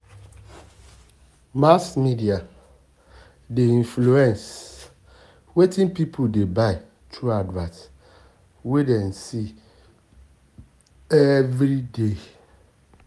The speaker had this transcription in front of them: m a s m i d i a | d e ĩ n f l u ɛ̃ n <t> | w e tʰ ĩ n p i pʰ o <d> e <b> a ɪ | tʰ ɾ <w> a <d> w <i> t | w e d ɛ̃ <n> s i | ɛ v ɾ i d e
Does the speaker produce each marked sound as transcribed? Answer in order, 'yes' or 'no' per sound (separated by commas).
no, yes, yes, no, yes, no, yes